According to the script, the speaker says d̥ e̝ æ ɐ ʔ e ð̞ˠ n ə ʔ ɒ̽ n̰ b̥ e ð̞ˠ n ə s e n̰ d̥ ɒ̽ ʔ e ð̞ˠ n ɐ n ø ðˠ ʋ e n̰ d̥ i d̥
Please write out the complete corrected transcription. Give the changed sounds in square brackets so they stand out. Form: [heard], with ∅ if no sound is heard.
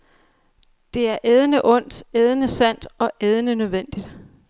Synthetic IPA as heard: d̥ e̝ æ ɐ ʔ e ð̞ˠ n ə ʔ [ɔ̽] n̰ [d̥] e ð̞ˠ n ə s [æ] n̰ d̥ ɒ̽ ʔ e ð̞ˠ n [ə] n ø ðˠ ʋ e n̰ d̥ i d̥